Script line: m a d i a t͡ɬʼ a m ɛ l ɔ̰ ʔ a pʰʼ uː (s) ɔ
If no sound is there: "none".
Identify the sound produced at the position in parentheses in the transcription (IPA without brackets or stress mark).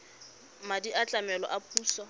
s